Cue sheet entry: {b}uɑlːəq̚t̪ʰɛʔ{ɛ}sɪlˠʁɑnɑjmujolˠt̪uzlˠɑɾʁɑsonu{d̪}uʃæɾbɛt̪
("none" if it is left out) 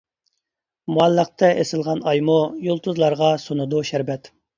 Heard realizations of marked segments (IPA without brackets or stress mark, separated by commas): m, e, d̪